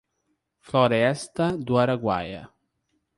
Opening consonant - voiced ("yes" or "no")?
no